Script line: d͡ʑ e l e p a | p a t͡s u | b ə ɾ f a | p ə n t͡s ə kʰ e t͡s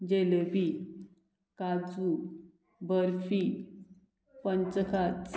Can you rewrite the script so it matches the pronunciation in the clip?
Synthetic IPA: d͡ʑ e l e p i | k a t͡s u | b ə ɾ f i | p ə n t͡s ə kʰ a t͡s